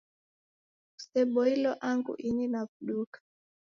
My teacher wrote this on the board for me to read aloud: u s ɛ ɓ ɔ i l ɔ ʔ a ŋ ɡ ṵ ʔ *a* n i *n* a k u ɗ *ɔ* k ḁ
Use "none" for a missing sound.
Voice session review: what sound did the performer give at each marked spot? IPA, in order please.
i, n, u

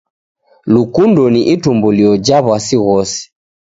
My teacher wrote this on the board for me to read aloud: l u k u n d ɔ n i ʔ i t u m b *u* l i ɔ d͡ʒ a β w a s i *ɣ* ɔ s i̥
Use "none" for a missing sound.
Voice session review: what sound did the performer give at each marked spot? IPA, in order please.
u, ɣ

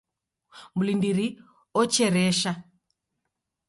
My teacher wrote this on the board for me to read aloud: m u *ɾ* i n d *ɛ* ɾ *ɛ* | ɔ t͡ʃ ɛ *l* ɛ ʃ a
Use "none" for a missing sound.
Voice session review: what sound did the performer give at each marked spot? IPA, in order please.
l, i, i, ɾ

